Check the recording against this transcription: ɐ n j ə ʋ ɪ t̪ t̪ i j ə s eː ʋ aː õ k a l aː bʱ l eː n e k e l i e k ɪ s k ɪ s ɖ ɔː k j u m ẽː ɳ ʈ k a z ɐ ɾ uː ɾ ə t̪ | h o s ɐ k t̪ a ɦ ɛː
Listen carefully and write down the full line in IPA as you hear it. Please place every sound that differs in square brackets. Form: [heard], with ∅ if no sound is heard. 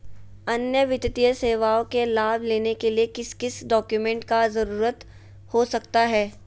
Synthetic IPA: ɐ n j ə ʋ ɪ t̪ t̪ i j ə s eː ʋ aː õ k [e] l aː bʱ l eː n e k e l i e k ɪ s k ɪ s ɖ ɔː k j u m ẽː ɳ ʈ k a z ɐ ɾ uː ɾ ə t̪ | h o s ɐ k t̪ a ɦ ɛː